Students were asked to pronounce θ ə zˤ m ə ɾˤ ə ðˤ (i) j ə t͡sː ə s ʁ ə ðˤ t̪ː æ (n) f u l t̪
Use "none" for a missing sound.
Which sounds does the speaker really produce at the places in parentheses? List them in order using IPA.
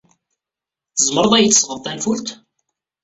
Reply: æ, n

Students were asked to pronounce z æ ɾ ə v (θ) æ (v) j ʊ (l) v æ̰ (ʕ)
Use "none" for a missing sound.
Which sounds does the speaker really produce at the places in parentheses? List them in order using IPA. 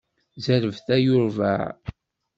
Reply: θ, none, ɾ, ʕ

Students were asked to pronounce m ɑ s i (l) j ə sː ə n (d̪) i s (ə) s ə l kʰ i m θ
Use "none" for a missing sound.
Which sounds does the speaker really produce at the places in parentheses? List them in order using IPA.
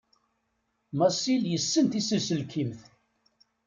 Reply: l, t̪, ə

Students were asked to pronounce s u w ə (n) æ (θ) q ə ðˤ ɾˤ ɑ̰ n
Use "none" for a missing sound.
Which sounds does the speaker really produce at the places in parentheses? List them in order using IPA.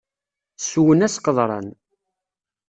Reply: n, s

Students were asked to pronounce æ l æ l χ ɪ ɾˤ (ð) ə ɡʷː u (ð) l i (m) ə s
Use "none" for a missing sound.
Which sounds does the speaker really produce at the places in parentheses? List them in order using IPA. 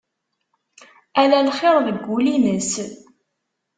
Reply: ð, none, n

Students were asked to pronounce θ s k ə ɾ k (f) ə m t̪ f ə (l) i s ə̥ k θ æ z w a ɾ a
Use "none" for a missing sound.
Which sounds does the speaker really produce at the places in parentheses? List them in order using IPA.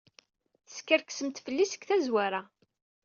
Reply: s, lː

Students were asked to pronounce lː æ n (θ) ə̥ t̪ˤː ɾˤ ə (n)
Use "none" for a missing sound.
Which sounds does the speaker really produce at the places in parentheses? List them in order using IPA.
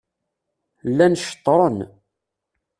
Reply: ʃ, n

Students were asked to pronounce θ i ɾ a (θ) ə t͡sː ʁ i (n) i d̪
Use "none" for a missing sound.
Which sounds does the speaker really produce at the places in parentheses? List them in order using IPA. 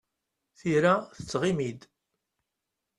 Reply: θ, m

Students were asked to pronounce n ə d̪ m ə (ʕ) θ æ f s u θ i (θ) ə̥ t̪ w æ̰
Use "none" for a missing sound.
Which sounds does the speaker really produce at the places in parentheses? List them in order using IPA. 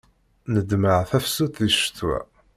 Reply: ʕ, ʃ

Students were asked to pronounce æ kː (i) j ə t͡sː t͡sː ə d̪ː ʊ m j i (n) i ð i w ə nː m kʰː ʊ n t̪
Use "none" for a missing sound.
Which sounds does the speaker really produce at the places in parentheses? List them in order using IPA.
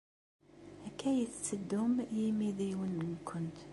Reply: æ, m

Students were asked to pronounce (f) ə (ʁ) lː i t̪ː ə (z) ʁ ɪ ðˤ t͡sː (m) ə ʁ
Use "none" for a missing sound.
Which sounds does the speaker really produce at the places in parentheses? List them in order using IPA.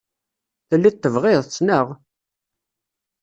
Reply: θ, none, v, n

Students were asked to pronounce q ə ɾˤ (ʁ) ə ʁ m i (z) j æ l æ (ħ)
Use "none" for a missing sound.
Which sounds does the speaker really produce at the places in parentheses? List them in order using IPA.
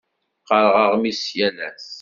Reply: ʁ, s, s

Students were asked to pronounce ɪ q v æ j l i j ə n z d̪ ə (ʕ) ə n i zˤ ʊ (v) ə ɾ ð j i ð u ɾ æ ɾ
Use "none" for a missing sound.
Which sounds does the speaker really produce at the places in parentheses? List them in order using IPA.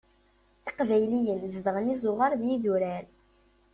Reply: ʁ, ʁ

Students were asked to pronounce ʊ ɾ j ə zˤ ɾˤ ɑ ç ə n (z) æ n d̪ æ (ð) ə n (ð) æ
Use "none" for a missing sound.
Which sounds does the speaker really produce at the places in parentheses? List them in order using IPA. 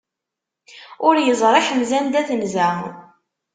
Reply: z, θ, z

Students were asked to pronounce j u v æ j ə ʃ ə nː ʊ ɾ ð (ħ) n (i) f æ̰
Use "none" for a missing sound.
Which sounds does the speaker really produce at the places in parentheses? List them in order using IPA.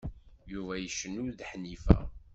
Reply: ħ, i

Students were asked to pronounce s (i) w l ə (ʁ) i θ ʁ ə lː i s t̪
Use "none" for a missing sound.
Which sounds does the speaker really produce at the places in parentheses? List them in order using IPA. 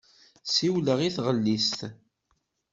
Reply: i, ʁ

